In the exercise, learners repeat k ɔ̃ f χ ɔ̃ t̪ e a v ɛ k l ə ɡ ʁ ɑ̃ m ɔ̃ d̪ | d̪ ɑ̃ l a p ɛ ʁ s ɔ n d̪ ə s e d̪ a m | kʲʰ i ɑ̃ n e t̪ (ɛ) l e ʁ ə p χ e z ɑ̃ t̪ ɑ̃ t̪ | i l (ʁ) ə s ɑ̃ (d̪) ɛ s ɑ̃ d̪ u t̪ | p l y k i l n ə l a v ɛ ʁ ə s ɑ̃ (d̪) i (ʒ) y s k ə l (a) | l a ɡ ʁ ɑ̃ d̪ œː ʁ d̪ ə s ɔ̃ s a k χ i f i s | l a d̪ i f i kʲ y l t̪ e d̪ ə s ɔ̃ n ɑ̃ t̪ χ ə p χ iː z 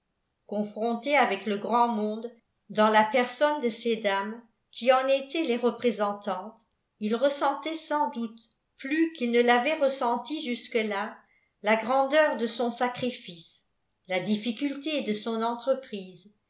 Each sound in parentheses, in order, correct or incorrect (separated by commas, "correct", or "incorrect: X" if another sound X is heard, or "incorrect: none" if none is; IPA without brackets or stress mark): correct, correct, incorrect: t̪, incorrect: t̪, correct, correct